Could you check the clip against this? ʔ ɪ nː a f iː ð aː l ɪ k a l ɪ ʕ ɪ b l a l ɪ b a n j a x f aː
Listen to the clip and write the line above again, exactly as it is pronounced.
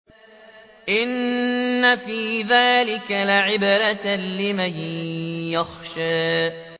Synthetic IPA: ʔ ɪ nː a f iː ð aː l ɪ k a l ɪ ʕ ɪ b ɾ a l ɪ m a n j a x ʃ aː